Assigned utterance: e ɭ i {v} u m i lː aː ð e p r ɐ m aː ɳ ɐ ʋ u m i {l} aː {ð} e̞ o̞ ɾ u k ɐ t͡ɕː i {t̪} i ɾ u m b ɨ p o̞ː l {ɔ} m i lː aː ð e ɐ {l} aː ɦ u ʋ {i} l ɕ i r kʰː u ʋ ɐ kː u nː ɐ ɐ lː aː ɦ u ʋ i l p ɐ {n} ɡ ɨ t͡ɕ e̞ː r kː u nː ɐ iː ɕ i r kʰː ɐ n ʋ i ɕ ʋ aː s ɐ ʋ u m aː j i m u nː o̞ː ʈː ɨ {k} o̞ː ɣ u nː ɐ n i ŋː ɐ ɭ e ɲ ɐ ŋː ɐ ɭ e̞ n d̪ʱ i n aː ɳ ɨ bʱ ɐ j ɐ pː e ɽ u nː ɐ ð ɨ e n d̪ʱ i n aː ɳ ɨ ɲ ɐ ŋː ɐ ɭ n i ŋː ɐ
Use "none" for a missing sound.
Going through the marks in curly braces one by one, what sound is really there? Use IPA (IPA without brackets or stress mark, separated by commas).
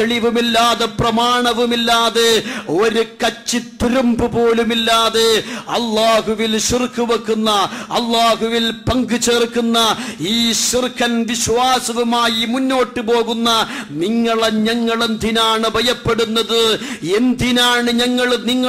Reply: ʋ, lː, ð, t̪, u, lː, i, ŋ, p